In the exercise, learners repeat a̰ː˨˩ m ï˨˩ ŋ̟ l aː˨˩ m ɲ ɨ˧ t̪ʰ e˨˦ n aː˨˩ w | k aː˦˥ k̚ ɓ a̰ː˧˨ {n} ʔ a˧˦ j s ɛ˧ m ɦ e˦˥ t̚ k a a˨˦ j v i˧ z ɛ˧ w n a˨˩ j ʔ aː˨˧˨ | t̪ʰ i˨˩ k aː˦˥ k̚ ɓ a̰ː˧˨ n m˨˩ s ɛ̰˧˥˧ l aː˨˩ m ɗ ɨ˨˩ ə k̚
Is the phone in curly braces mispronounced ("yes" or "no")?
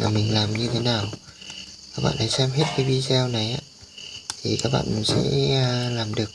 no